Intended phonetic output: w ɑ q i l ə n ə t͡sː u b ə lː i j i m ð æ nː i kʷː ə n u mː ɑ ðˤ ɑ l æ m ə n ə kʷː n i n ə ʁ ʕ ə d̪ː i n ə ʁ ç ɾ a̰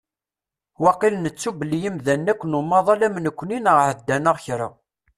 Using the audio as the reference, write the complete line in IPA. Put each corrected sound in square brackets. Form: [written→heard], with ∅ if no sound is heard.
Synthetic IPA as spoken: w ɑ q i l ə n ə t͡sː u b ə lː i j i m ð æ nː [i→æ] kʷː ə n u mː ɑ ðˤ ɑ l æ m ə n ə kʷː n i n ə ʁ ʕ ə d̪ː [i→æ] n ə ʁ ç ɾ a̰